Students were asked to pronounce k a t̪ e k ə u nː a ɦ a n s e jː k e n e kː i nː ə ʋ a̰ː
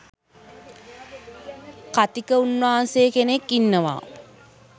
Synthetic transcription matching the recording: k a t̪ i k ə u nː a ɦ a n s e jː k e n e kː i nː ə ʋ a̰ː